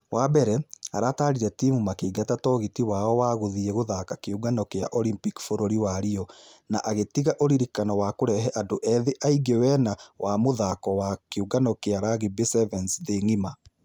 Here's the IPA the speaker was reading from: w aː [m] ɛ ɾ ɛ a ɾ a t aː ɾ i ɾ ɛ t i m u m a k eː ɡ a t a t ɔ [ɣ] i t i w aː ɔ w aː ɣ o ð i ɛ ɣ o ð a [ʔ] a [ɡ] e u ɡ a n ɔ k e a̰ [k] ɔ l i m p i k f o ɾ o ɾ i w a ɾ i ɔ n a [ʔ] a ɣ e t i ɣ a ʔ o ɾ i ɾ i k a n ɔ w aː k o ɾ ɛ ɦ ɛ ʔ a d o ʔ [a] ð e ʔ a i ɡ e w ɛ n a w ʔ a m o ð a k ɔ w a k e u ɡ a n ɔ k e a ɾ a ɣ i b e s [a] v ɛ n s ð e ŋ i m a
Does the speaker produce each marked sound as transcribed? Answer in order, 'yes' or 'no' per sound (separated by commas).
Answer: no, yes, no, no, no, yes, no, no